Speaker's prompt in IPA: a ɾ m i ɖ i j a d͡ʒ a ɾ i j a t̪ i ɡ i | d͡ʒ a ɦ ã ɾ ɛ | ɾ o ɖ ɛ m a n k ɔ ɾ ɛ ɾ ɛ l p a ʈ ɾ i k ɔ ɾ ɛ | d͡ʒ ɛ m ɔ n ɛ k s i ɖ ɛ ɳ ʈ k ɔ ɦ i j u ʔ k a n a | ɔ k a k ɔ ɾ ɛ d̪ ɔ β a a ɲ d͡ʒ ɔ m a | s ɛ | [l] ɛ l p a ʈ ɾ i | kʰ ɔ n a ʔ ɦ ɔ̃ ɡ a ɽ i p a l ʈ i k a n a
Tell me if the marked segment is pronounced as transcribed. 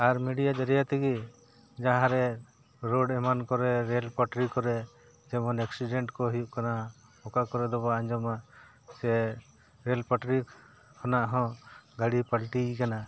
no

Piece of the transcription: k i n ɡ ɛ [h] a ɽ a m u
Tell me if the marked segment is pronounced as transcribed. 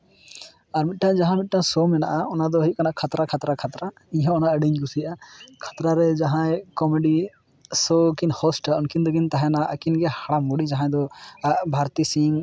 yes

